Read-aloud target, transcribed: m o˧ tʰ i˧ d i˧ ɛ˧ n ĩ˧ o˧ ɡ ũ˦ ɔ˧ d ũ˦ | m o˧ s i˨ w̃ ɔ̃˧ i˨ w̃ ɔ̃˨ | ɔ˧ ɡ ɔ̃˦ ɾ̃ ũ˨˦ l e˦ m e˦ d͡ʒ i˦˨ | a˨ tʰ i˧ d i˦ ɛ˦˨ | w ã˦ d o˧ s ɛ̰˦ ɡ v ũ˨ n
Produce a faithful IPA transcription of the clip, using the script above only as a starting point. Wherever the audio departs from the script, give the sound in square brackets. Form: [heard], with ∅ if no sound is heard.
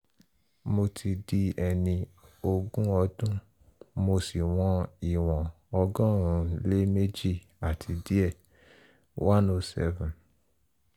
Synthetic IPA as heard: m o˧ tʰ i˧ d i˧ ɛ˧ n ĩ˧ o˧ ɡ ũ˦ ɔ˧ d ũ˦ | m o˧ s i˨ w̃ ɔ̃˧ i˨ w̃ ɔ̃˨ | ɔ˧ ɡ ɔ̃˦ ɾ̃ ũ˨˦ l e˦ m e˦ d͡ʒ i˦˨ | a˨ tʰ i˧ d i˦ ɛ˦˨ | w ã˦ [n] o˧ s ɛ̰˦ [∅] v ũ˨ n